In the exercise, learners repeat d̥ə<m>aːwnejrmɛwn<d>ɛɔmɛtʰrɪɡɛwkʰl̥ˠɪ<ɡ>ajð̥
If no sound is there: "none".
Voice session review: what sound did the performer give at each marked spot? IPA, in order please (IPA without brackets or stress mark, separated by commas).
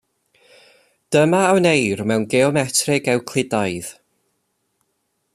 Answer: m, ɡ, d